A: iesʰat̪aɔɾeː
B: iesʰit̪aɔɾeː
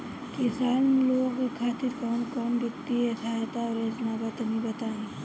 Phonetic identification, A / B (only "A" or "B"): A